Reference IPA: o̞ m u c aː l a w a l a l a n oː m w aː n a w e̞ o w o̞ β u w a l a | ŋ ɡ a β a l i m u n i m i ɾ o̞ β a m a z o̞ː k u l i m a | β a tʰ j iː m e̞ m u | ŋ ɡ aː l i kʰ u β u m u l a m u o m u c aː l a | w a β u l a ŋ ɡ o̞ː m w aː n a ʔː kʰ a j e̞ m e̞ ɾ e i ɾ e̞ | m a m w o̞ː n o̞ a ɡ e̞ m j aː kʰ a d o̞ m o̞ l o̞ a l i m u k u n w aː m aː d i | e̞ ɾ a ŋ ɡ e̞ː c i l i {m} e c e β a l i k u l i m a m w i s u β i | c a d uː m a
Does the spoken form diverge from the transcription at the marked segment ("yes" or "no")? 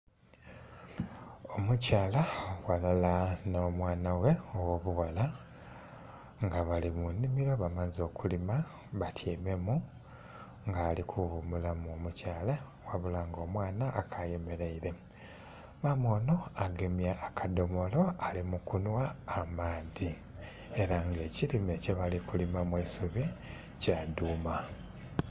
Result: no